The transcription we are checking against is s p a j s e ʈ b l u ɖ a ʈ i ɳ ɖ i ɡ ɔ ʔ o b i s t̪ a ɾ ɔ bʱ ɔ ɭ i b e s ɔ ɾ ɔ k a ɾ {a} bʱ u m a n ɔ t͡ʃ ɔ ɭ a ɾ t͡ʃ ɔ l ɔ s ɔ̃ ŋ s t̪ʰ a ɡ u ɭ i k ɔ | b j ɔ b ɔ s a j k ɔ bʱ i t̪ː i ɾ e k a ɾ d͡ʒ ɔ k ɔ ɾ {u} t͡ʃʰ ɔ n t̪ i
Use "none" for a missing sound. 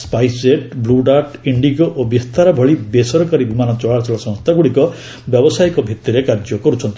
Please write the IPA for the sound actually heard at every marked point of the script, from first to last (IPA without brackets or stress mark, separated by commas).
i, u